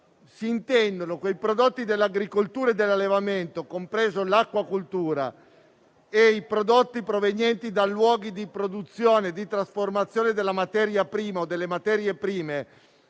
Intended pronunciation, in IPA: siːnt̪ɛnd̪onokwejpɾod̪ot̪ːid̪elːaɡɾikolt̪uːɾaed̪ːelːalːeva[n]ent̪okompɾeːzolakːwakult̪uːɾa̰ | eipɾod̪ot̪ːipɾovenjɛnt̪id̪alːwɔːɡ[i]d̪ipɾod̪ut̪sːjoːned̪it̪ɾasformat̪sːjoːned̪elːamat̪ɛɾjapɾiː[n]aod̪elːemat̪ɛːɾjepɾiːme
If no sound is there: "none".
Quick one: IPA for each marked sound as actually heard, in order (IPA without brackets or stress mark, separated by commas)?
m, i, m